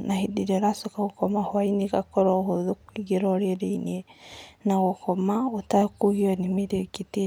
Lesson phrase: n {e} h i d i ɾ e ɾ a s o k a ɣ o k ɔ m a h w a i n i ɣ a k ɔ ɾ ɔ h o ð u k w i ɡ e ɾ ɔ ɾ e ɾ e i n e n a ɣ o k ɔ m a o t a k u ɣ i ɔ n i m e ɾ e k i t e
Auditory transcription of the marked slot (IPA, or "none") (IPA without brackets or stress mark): a